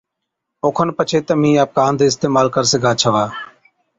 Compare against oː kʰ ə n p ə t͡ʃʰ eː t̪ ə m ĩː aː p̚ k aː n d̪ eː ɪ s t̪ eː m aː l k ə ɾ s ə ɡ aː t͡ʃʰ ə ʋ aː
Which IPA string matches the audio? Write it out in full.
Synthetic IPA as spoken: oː kʰ ə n p ə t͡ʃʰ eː t̪ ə m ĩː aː p̚ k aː n d̪ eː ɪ s t̪ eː m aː l k ə ɾ s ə ɡ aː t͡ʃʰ ə ʋ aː